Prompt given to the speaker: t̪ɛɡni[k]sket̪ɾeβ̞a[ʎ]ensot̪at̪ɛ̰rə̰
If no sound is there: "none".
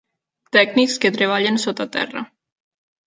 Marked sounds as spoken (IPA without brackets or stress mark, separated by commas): k, ʎ